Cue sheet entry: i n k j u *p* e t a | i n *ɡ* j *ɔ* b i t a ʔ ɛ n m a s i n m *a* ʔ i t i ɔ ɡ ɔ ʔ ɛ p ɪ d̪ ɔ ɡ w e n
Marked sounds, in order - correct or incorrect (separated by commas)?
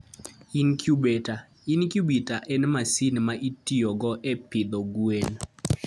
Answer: incorrect, incorrect, incorrect, correct